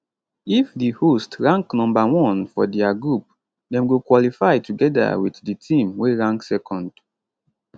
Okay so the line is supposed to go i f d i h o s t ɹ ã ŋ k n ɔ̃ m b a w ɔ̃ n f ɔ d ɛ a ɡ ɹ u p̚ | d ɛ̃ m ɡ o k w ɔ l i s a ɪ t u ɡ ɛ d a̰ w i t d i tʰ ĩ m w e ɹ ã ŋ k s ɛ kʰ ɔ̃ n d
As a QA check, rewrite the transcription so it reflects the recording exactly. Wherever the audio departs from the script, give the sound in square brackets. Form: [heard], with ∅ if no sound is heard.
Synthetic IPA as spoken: i f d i h o s t ɹ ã ŋ k n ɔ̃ m b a w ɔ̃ n f ɔ d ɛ a ɡ ɹ u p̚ | d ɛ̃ m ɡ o k w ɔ l i [f] a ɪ t u ɡ ɛ d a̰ w i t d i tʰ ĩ m w e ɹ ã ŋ k s ɛ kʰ ɔ̃ n d